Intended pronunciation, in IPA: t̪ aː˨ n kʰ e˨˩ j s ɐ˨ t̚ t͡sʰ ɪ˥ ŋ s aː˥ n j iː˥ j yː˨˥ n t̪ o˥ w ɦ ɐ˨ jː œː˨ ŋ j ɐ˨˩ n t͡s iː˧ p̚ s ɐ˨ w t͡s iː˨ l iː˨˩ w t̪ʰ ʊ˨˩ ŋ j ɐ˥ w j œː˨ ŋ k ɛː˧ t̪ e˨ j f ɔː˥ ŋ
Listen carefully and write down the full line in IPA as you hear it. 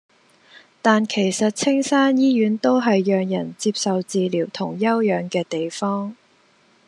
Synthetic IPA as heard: t̪ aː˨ n kʰ e˨˩ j s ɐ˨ t̚ t͡sʰ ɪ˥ ŋ s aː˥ n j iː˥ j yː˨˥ n t̪ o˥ w ɦ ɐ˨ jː œː˨ ŋ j ɐ˨˩ n t͡s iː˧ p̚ s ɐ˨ w t͡s iː˨ l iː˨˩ w t̪ʰ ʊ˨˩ ŋ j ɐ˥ w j œː˨ ŋ k ɛː˧ t̪ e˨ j f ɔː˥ ŋ